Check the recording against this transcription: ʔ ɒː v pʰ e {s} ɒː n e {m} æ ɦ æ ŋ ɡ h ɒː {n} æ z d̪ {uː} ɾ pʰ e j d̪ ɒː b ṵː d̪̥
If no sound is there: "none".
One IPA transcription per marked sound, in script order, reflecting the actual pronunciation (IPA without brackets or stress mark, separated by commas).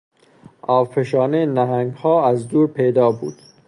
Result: ʃ, n, none, uː